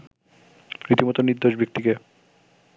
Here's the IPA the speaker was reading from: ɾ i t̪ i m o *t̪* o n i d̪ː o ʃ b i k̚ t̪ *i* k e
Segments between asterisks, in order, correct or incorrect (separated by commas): correct, correct